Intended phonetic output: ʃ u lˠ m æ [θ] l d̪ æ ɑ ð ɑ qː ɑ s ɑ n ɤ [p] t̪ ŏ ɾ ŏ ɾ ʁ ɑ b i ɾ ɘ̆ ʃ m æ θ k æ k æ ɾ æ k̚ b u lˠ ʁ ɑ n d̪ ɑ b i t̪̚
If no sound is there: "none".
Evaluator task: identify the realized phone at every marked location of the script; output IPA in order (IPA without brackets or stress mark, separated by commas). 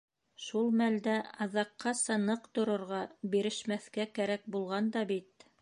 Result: none, q